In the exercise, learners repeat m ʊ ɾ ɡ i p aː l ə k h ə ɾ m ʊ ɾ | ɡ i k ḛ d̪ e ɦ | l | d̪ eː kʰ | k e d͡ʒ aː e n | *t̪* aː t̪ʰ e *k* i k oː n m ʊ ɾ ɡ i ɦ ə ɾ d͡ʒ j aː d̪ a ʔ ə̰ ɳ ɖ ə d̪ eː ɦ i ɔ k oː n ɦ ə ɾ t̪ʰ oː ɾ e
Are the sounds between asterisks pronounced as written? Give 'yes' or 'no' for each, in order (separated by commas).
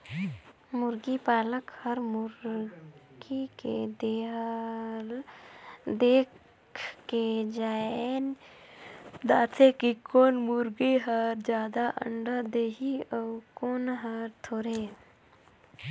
no, yes